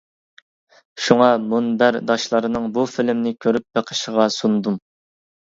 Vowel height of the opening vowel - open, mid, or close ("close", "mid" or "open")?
close